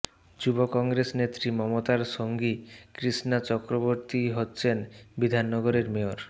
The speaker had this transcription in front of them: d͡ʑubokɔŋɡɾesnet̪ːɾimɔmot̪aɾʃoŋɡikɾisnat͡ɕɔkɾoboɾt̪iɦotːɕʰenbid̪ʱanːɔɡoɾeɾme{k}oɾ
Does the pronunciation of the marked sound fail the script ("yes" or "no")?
yes